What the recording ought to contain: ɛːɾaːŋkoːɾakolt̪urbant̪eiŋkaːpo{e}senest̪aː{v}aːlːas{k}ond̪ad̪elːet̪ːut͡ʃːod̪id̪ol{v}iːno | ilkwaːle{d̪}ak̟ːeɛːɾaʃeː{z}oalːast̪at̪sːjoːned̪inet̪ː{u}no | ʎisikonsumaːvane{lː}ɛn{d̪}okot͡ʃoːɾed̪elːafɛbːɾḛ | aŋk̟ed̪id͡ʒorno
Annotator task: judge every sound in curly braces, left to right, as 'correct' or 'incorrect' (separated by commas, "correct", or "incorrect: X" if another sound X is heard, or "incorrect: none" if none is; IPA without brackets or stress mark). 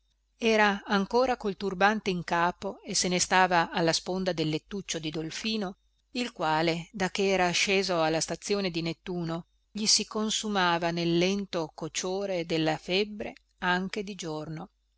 correct, correct, incorrect: p, incorrect: f, correct, correct, incorrect: uː, correct, incorrect: t̪